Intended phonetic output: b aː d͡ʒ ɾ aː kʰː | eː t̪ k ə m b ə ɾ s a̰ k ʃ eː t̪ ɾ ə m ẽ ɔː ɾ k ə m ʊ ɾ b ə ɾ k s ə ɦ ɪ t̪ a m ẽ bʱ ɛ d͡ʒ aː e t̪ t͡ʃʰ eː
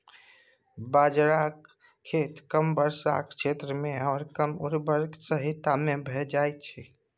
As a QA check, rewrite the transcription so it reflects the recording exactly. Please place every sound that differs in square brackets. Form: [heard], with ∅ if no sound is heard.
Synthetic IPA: b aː d͡ʒ ɾ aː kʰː | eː t̪ k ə m b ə ɾ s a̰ k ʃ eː t̪ ɾ ə m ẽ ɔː ɾ k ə m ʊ ɾ b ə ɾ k s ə ɦ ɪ t̪ a m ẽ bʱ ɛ d͡ʒ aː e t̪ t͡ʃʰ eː